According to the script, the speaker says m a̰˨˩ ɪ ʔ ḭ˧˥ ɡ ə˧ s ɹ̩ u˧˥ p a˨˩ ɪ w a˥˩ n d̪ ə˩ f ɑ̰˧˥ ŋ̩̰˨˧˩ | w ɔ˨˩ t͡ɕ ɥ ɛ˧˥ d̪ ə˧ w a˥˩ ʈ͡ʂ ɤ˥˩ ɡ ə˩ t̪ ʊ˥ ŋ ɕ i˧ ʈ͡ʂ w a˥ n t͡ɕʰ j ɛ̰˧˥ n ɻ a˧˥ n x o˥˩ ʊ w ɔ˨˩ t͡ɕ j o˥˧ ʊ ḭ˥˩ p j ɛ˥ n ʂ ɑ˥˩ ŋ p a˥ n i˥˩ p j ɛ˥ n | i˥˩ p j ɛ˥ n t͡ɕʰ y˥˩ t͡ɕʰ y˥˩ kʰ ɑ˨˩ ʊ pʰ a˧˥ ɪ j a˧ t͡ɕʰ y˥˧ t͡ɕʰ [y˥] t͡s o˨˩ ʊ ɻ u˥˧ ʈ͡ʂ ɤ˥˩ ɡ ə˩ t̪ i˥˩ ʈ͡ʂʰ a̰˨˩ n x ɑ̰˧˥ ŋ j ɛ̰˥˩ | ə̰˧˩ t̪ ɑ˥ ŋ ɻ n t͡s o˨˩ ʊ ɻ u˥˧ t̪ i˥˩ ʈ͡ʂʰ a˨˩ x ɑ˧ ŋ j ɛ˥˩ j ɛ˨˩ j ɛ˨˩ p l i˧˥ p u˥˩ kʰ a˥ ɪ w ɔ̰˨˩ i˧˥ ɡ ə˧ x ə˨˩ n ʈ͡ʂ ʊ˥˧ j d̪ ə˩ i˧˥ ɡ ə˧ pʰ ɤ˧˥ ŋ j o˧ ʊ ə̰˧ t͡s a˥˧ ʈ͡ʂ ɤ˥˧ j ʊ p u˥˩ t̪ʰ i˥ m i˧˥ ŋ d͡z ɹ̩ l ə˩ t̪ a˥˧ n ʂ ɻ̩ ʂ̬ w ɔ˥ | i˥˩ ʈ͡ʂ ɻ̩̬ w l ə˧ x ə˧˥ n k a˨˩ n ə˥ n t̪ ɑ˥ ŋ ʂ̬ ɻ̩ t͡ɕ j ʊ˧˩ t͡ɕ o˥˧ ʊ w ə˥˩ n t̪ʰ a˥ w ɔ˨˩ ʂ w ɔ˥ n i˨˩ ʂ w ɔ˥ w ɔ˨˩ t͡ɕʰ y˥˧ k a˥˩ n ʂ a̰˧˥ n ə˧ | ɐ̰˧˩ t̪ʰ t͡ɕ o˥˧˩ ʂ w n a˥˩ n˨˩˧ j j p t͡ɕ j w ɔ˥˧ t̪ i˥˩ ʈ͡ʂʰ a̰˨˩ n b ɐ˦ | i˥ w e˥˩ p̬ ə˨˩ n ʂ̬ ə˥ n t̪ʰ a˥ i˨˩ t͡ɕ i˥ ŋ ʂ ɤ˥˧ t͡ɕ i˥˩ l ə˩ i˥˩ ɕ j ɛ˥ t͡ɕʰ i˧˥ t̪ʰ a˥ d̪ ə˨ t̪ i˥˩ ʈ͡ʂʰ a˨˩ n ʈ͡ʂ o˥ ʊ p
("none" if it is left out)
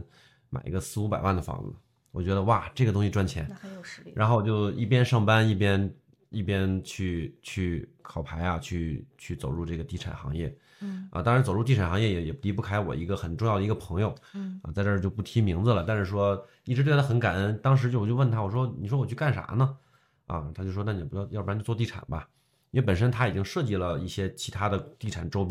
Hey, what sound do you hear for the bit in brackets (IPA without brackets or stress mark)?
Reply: y˥˩